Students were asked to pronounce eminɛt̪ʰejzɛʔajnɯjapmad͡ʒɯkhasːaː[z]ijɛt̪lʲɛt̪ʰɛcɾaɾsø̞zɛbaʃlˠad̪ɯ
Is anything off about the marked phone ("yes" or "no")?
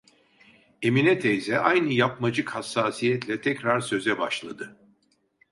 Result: yes